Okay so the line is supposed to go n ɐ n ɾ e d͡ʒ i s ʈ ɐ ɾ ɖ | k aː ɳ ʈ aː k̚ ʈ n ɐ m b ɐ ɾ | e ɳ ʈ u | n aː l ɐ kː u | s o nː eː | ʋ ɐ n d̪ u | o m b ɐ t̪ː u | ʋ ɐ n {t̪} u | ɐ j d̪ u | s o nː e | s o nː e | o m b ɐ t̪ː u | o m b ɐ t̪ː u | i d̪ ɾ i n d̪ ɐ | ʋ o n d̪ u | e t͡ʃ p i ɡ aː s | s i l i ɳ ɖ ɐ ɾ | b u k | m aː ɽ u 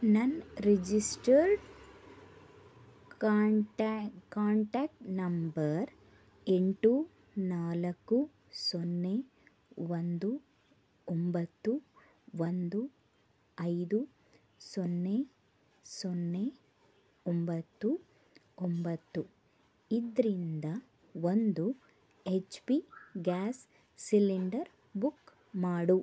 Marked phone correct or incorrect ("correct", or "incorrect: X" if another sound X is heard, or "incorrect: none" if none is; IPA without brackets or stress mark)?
incorrect: d̪